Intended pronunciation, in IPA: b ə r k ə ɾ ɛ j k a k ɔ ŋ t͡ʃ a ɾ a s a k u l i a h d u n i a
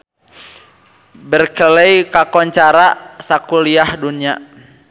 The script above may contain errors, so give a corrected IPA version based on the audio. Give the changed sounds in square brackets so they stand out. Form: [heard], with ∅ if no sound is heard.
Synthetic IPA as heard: b ə r k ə [l] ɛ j k a k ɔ [ɲ] t͡ʃ a ɾ a s a k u l i a h d u n i a